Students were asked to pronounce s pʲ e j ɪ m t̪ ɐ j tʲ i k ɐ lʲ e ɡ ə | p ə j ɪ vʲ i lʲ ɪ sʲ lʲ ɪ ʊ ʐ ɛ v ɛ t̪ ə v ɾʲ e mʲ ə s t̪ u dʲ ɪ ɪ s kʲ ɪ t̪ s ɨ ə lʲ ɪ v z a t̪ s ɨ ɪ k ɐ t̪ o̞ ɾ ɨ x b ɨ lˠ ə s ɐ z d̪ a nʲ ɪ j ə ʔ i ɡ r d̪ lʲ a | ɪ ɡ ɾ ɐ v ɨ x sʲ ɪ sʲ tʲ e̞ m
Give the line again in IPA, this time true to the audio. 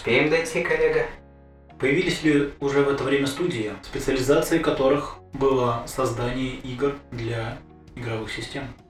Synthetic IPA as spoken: s pʲ e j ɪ m d̪ ɐ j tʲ i k ɐ lʲ e ɡ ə | p ə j ɪ vʲ i lʲ ɪ sʲ lʲ ɪ ʊ ʐ ɛ v ɛ t̪ ə v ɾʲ e mʲ ə s t̪ u dʲ ɪ ɪ s pʲ ɪ t̪ s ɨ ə lʲ ɪ z a t̪ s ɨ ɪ k ɐ t̪ o̞ ɾ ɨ x b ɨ lˠ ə s ɐ z d̪ a nʲ ɪ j ə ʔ i ɡ r d̪ lʲ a | ɪ ɡ ɾ ɐ v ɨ x sʲ ɪ sʲ tʲ e̞ m